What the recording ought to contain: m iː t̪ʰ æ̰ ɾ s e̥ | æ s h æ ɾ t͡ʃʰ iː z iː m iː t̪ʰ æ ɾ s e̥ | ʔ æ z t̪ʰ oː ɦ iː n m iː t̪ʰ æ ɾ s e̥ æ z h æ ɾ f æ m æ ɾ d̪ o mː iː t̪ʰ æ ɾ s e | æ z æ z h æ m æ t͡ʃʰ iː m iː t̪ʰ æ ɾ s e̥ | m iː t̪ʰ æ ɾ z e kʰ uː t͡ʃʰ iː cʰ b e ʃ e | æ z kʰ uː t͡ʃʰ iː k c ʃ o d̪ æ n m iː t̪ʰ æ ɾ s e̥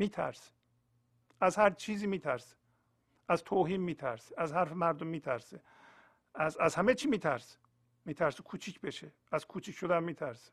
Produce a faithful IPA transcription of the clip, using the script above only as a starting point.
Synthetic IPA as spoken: m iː t̪ʰ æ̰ ɾ s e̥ | æ z h æ ɾ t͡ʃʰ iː z iː m iː t̪ʰ æ ɾ s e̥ | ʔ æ z t̪ʰ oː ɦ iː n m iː t̪ʰ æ ɾ s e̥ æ z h æ ɾ f e m æ ɾ d̪ o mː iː t̪ʰ æ ɾ s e | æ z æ z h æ m e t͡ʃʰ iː m iː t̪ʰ æ ɾ s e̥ | m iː t̪ʰ æ ɾ s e kʰ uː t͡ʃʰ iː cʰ b e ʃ e | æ z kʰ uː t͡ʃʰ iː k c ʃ o d̪ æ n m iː t̪ʰ æ ɾ s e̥